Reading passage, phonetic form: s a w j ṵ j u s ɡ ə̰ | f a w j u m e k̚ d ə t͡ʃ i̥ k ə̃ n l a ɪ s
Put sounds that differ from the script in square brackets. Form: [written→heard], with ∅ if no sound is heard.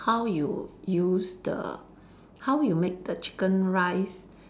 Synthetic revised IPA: [s→h] a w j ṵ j u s [ɡ→d] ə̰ | [f→h] a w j u m e k̚ d ə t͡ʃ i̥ k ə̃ n [l→ɹ] a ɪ s